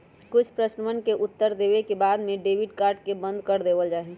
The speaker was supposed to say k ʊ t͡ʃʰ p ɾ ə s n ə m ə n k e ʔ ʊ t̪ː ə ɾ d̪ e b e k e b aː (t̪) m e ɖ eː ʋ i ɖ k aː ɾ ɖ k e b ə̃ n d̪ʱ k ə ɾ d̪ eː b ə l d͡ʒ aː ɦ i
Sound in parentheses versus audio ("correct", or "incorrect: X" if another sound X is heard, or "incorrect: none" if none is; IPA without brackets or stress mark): incorrect: d̪